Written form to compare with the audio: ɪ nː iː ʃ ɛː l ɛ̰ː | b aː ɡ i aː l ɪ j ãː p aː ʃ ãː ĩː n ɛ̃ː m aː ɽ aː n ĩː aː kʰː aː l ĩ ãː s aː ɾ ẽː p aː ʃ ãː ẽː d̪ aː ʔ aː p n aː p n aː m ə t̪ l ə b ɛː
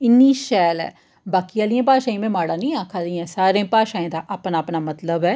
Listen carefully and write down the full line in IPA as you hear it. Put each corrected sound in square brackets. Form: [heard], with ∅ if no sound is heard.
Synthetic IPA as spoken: ɪ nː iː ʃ ɛː l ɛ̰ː | b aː [k] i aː l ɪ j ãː p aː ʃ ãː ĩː [m] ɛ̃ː m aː ɽ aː n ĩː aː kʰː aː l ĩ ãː s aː ɾ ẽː p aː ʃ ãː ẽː d̪ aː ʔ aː p n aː p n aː m ə t̪ l ə b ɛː